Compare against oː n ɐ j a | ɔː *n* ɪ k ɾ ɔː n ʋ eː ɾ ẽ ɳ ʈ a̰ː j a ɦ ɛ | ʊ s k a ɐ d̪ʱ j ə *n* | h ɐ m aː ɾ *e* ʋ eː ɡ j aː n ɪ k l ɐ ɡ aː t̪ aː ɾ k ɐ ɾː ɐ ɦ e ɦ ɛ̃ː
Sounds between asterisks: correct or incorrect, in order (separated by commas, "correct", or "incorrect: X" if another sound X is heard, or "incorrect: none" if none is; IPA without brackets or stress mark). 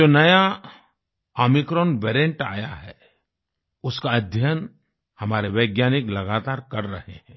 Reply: incorrect: m, correct, correct